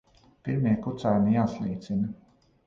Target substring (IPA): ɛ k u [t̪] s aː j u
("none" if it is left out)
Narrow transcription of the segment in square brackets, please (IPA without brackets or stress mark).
t̪